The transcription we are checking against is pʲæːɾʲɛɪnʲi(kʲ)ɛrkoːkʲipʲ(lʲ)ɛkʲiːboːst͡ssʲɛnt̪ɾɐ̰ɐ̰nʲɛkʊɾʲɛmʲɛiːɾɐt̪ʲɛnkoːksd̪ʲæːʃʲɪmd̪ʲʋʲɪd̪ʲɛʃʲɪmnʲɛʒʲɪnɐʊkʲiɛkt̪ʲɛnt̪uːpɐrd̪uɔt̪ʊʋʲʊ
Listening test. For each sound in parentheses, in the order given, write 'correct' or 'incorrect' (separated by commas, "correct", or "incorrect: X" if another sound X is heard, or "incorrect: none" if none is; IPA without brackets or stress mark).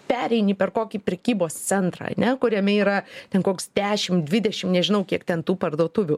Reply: incorrect: pʲ, incorrect: ɾʲ